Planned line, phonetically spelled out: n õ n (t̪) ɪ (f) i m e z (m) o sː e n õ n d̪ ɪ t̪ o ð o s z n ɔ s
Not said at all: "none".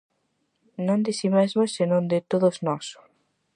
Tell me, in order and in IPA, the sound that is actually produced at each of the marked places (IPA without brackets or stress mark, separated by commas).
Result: d̪, s, m